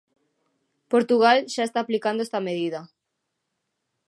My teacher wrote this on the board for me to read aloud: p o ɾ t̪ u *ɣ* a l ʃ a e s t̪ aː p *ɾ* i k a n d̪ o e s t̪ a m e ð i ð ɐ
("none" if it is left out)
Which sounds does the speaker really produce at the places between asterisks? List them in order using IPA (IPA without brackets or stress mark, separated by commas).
ɣ, l